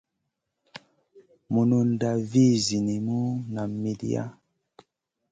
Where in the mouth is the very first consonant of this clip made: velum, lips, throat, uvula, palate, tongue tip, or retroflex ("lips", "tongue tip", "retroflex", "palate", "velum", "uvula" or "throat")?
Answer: lips